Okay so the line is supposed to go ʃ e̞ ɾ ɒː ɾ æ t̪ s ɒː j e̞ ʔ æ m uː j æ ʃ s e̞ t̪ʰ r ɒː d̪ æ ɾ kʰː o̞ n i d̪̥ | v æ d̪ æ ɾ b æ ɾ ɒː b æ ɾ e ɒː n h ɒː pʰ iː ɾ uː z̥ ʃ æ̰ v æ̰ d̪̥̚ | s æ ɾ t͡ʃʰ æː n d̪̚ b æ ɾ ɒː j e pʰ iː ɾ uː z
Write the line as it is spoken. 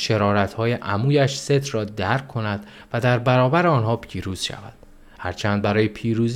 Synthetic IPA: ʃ e̞ ɾ ɒː ɾ æ t̪ h ɒː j e̞ ʔ æ m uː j æ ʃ s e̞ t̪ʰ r ɒː d̪ æ ɾ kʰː o̞ n æ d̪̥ | v æ d̪ æ ɾ b æ ɾ ɒː b æ ɾ e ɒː n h ɒː pʰ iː ɾ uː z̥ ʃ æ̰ v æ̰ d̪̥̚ | h æ ɾ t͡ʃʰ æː n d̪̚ b æ ɾ ɒː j e pʰ iː ɾ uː z